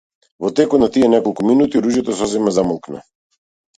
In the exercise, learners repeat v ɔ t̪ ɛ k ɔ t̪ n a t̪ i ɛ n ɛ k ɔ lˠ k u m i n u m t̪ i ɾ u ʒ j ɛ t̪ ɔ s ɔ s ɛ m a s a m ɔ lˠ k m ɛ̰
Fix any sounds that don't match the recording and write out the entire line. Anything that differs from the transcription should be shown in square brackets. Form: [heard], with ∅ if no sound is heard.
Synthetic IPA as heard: v ɔ t̪ ɛ k ɔ t̪ n a t̪ i ɛ n ɛ k ɔ lˠ k u m i n u [∅] t̪ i ɾ u ʒ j ɛ t̪ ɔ s ɔ [z] ɛ m a [z] a m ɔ lˠ k [n] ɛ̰

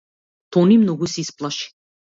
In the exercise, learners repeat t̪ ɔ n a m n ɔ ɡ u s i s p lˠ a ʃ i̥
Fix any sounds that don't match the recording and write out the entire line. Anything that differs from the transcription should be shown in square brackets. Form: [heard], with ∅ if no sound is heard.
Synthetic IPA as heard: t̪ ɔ n [i] m n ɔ ɡ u s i s p lˠ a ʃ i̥

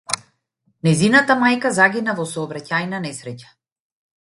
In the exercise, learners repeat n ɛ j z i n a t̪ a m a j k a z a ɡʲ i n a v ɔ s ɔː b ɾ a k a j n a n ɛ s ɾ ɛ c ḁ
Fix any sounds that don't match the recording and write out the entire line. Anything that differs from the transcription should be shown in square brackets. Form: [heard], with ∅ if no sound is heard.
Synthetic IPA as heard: n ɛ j z i n a t̪ a m a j k a z a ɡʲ i n a v ɔ s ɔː b ɾ a [c] a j n a n ɛ s ɾ ɛ c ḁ

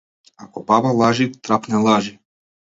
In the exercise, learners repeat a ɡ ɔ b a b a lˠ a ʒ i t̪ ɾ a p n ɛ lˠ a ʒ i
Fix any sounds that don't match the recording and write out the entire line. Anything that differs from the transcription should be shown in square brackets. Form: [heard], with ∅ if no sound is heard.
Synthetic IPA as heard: a [k] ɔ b a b a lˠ a ʒ i t̪ ɾ a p n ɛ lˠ a ʒ i

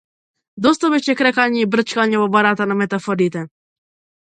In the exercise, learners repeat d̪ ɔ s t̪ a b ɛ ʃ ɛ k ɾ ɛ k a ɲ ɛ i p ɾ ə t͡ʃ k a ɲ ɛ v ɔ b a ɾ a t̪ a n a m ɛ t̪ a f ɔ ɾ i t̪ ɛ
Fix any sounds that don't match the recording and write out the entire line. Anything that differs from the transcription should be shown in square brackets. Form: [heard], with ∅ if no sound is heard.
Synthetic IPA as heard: d̪ ɔ s t̪ a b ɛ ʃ ɛ k ɾ ɛ k a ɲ ɛ i [b] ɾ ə t͡ʃ k a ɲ ɛ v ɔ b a ɾ a t̪ a n a m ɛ t̪ a f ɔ ɾ i t̪ ɛ

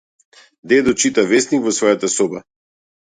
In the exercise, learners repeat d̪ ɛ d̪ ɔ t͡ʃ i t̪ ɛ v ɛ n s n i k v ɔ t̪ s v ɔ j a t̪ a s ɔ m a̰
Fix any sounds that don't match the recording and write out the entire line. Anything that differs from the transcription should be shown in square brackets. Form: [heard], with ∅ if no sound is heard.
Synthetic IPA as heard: d̪ ɛ d̪ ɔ t͡ʃ i t̪ [a] v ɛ [∅] s n i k v ɔ [∅] s v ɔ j a t̪ a s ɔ [b] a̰

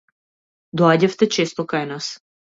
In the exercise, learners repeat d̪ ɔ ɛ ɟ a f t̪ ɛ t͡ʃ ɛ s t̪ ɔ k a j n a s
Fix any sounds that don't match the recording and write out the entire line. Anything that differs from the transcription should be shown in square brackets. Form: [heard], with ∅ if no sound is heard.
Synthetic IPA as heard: d̪ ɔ [a] ɟ a f t̪ ɛ t͡ʃ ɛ s t̪ ɔ k a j n a s

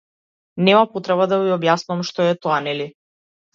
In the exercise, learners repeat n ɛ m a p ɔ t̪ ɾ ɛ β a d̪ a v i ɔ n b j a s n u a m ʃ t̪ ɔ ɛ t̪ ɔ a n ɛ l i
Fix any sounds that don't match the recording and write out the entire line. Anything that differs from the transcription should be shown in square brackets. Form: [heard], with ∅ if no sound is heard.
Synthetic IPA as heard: n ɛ m a p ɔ t̪ ɾ ɛ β a d̪ a v i ɔ [∅] b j a s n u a m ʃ t̪ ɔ ɛ t̪ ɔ a n ɛ l i

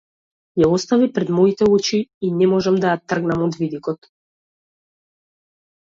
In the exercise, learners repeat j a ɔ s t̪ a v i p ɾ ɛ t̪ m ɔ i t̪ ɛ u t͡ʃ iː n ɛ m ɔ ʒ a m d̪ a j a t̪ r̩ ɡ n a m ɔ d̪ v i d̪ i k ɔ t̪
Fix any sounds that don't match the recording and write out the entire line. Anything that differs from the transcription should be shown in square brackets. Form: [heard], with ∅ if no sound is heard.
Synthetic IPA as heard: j a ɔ s t̪ a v i p ɾ ɛ [d̪] m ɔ i t̪ ɛ u t͡ʃ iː n ɛ m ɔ ʒ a m d̪ a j a t̪ r̩ ɡ n a m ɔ d̪ v i d̪ i k ɔ t̪

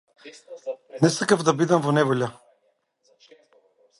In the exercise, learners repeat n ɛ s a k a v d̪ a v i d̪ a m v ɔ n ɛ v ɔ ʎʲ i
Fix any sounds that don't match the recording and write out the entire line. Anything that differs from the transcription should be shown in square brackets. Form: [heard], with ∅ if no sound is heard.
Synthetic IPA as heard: n ɛ s a k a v d̪ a [b] i d̪ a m v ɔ n ɛ v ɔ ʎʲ [a]

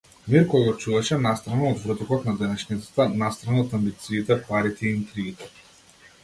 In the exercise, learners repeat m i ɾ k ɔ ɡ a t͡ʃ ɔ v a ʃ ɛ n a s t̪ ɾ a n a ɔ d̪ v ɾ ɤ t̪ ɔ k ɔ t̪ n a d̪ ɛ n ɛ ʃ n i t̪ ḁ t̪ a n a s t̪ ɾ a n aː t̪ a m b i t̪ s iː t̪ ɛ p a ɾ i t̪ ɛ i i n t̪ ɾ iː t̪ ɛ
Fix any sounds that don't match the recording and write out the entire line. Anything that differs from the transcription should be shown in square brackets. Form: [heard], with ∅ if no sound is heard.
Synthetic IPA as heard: m i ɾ k ɔ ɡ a t͡ʃ [u] v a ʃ ɛ n a s t̪ ɾ a n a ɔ d̪ v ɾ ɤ t̪ ɔ k ɔ t̪ n a d̪ ɛ n ɛ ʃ n i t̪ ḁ t̪ a n a s t̪ ɾ a n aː t̪ a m b i t̪ s iː t̪ ɛ p a ɾ i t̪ ɛ i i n t̪ ɾ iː t̪ ɛ

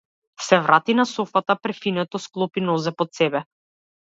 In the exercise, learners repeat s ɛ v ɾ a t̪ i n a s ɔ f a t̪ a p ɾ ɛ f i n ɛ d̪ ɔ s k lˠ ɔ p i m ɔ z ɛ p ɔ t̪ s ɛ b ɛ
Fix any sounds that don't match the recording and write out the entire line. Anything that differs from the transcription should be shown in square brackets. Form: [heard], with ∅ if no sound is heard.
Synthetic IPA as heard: s ɛ v ɾ a t̪ i n a s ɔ f a t̪ a p ɾ ɛ f i n ɛ [t̪] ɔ s k lˠ ɔ p i [n] ɔ z ɛ p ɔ t̪ s ɛ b ɛ

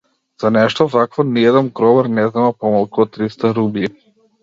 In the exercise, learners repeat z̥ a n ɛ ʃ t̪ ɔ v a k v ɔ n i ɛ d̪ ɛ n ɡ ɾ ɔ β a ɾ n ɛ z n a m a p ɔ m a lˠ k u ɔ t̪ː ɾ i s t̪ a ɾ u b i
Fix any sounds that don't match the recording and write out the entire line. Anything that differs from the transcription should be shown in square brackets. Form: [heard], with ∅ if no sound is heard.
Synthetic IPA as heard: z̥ a n ɛ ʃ t̪ ɔ v a k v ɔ n i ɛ d̪ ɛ n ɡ ɾ ɔ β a ɾ n ɛ z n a m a p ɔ m a lˠ k u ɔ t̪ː ɾ i s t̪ a ɾ u b i

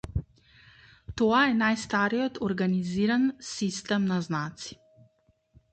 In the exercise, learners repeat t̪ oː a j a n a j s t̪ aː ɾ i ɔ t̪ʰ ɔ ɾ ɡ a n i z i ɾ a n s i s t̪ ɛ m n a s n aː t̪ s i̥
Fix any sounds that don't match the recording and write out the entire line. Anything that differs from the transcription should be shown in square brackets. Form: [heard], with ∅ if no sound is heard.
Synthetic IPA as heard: t̪ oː a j [ɛ] n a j s t̪ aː ɾ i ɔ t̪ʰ ɔ ɾ ɡ a n i z i ɾ a n s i s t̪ ɛ m n a [z] n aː t̪ s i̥

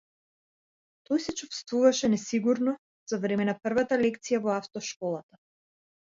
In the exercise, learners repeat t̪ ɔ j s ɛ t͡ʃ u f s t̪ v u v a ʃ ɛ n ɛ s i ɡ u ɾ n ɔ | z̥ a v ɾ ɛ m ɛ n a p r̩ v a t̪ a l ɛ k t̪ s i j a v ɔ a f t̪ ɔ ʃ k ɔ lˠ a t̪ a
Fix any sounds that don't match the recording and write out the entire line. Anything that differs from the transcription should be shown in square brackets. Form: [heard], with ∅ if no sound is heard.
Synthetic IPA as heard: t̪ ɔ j s ɛ t͡ʃ u f s t̪ v u v a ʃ ɛ n ɛ s i ɡ u ɾ n ɔ | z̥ a v ɾ ɛ m ɛ n a p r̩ v a t̪ a l ɛ k t̪ s i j a v ɔ a f t̪ ɔ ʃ k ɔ lˠ a t̪ a

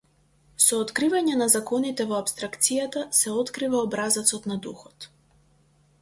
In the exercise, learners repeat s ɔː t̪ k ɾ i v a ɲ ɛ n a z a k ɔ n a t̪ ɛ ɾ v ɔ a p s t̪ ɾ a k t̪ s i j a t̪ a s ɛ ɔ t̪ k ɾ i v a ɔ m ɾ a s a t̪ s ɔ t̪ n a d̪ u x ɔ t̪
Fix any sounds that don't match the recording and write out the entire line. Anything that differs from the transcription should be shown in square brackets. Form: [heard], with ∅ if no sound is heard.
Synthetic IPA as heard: s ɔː t̪ k ɾ i v a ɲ ɛ n a z a k ɔ n [i] t̪ ɛ [∅] v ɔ a p s t̪ ɾ a k t̪ s i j a t̪ a s ɛ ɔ t̪ k ɾ i v a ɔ [b] ɾ a [z] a t̪ s ɔ t̪ n a d̪ u x ɔ t̪

